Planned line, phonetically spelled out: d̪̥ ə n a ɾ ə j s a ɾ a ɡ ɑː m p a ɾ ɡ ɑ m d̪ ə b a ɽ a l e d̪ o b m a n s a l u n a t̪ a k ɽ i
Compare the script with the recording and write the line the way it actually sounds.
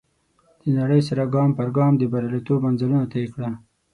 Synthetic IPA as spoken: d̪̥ ə n a ɽ ə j s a ɾ a ɡ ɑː m p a ɾ ɡ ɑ m d̪ ə b a ɾ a l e t̪ o b m a n z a l u n a t̪ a k ɽ a